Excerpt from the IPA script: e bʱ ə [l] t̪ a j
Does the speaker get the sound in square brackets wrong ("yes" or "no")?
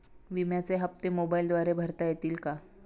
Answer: yes